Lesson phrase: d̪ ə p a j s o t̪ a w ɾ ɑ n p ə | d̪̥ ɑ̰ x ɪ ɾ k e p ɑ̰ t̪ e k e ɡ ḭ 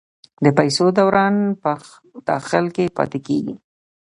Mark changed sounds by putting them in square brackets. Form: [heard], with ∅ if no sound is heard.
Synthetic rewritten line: d̪ ə p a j s o [d̪] a w ɾ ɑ n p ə | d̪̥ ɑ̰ x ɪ [l] k e p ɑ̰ t̪ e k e ɡ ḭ